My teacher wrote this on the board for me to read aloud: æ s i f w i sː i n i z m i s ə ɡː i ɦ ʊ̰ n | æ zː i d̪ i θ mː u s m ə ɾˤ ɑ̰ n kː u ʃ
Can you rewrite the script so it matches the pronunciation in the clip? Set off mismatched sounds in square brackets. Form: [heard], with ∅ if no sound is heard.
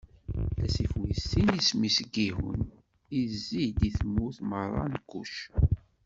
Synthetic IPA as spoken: æ s i f w i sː i n i [s] m i s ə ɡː i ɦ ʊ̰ n | [i] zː i d̪ i θ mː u [θ] m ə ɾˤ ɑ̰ n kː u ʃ